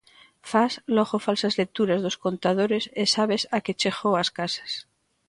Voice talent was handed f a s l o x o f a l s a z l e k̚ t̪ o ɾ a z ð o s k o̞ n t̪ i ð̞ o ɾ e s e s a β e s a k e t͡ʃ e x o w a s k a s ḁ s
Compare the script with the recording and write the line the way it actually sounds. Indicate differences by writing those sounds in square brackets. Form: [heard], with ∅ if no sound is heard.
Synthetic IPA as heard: f a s l o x o f a l s a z l e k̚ t̪ [u] ɾ a z ð o s k o̞ n t̪ [a] ð̞ o ɾ e s e s a β e s a k e t͡ʃ e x o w a s k a s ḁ s